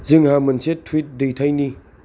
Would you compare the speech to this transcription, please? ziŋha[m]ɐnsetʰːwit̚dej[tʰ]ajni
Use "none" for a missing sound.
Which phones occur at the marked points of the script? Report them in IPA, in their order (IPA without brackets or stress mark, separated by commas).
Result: m, tʰ